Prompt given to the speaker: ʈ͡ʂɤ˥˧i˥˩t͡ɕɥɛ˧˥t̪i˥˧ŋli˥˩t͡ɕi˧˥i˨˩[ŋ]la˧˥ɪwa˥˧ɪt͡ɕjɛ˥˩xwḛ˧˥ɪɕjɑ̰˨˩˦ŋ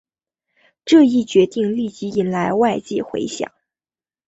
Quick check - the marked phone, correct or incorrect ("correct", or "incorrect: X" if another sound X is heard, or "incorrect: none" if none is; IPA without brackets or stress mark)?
incorrect: n